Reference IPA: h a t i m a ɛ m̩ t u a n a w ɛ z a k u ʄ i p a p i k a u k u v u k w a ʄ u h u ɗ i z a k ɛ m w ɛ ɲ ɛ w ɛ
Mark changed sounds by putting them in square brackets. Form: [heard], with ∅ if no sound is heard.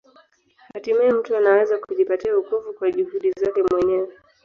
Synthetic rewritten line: h a t i m a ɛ m̩ t u a n a w ɛ z a k u ʄ i p a [t] i [∅] a u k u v u k w a ʄ u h u ɗ i z a k ɛ m w ɛ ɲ ɛ w ɛ